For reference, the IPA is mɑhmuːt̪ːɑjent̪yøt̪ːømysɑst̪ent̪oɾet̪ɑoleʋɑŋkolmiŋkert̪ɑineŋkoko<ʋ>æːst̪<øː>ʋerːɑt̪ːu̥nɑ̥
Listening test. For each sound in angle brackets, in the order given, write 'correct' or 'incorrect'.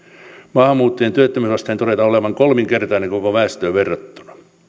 correct, correct

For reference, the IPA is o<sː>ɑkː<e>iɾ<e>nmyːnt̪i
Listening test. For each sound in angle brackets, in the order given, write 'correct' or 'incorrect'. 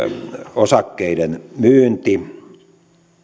incorrect: s, correct, correct

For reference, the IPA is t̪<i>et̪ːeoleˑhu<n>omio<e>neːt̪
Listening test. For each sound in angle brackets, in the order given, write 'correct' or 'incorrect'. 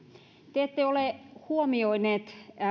incorrect: e, incorrect: none, incorrect: i

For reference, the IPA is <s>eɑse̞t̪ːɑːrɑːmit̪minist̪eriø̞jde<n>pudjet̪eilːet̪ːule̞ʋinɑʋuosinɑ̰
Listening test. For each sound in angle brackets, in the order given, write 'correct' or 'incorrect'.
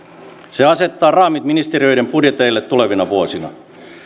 correct, incorrect: m

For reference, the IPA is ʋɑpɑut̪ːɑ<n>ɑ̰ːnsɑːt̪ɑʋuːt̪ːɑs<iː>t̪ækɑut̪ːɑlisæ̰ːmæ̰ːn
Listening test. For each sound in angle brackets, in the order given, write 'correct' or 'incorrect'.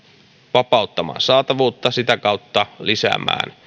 incorrect: m, incorrect: i

